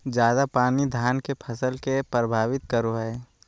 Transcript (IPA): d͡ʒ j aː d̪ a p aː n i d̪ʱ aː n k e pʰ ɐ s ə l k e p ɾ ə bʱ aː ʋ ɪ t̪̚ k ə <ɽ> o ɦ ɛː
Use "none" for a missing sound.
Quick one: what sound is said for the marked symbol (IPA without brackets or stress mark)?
ɾ